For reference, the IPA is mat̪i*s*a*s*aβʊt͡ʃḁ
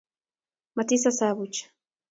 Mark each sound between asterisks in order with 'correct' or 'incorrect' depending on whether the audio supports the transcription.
correct, correct

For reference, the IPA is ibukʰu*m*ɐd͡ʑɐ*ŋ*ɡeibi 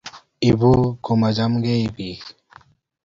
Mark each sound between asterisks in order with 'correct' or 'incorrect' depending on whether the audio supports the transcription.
correct, incorrect: m

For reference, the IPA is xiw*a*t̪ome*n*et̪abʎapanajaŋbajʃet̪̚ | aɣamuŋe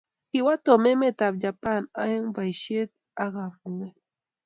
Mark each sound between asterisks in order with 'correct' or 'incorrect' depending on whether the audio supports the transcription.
correct, incorrect: m

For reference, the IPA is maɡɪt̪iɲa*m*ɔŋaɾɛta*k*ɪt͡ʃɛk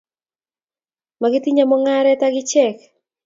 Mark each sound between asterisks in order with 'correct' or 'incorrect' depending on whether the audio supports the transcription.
correct, incorrect: ɡ

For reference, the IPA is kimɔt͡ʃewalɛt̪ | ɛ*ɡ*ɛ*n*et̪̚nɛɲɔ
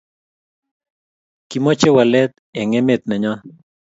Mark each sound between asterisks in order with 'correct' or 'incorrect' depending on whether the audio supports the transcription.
incorrect: ŋ, incorrect: m

